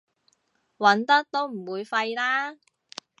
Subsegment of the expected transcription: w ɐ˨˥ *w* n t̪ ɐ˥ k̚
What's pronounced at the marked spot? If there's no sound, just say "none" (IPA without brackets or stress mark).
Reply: none